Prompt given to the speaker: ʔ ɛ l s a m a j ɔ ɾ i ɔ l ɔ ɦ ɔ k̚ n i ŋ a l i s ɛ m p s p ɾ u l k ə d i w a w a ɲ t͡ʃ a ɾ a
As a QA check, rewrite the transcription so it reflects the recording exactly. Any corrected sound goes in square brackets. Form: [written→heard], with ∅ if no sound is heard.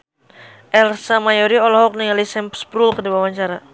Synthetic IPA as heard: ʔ ɛ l s a m a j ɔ ɾ i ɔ l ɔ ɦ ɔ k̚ n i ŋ a l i s ɛ m p s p ɾ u l k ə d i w a w a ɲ t͡ʃ a ɾ a